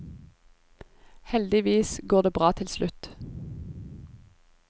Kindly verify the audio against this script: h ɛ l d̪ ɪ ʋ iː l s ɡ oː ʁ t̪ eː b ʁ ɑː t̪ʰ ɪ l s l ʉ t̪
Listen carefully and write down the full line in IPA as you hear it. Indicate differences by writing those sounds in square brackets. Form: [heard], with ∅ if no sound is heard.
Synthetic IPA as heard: h ɛ l d̪ ɪ ʋ iː [∅] s ɡ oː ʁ [d̪] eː b ʁ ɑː t̪ʰ ɪ l s l ʉ t̪